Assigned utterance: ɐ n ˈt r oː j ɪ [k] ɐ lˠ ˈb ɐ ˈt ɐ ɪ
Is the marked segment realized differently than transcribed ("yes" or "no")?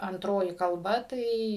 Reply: no